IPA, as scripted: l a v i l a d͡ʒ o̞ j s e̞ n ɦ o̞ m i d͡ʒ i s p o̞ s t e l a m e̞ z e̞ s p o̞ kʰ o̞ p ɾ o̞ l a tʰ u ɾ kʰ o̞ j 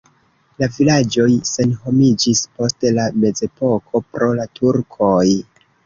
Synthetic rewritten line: l a v i l a d͡ʒ o̞ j s e̞ n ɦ o̞ m i d͡ʒ i s p o̞ s t e l a m e̞ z e̞ p o̞ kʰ o̞ p ɾ o̞ l a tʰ u ɾ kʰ o̞ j